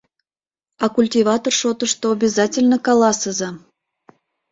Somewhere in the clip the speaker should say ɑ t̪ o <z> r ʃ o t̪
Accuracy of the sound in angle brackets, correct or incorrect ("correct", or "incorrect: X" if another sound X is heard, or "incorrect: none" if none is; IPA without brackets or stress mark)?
incorrect: none